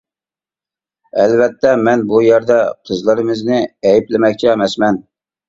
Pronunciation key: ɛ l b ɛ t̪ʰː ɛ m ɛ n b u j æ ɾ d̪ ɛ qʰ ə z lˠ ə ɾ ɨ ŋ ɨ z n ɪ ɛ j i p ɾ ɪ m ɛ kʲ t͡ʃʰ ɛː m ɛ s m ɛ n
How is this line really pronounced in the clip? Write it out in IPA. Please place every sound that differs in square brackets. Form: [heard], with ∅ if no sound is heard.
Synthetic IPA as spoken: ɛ l [v] ɛ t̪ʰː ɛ m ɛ n b u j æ ɾ d̪ ɛ qʰ ə z lˠ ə ɾ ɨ [m] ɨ z n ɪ ɛ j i p [l] ɪ m ɛ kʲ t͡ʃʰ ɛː m ɛ s m ɛ n